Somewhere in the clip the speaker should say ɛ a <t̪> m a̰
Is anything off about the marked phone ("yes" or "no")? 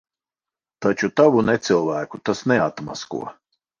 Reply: no